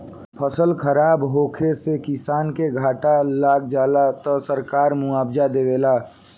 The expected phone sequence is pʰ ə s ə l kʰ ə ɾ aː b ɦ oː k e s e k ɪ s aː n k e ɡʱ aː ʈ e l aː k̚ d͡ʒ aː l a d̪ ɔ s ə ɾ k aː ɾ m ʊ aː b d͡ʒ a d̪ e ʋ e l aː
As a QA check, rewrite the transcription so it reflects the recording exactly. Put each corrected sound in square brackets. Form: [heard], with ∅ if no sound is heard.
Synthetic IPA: pʰ ə s ə l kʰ ə ɾ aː b ɦ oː [kʰ] e s e k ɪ s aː n k e ɡʱ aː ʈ [a] l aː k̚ d͡ʒ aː l a [t̪] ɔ s ə ɾ k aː ɾ m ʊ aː b d͡ʒ a d̪ e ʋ e l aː